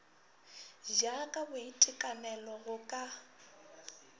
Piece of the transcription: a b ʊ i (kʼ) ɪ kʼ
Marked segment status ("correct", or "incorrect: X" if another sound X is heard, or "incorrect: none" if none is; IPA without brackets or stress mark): incorrect: tʼ